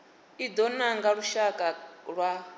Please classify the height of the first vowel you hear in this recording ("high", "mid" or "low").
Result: high